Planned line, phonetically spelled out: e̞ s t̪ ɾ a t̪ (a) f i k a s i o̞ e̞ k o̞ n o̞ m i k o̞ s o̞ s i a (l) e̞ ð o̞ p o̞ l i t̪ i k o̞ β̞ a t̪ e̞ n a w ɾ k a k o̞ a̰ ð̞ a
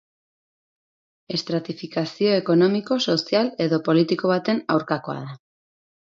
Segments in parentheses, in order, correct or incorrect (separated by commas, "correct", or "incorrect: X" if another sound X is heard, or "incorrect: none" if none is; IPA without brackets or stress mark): incorrect: i, correct